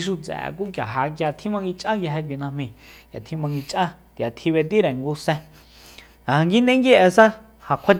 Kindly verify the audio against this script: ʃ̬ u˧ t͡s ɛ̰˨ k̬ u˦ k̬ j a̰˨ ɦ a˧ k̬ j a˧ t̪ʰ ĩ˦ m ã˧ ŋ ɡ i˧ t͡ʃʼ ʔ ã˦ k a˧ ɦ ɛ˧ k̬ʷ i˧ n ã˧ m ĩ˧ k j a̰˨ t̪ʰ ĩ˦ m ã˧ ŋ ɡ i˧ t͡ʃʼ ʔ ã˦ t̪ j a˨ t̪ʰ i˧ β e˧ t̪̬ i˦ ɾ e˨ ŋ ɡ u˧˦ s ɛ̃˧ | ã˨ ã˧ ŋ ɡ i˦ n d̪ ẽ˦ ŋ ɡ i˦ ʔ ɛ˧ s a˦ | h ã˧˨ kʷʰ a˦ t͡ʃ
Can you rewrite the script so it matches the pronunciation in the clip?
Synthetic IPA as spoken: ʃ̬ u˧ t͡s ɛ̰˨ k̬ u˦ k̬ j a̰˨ ɦ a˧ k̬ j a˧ t̪ʰ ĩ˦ m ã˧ ŋ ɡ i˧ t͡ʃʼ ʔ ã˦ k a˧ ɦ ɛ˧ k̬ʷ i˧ n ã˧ m ĩ˧ k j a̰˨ t̪ʰ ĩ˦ m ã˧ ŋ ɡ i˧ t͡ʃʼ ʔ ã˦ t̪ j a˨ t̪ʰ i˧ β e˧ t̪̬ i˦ ɾ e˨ ŋ ɡ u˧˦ s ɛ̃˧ | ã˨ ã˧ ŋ ɡ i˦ n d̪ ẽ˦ ŋ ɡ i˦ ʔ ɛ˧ s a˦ | h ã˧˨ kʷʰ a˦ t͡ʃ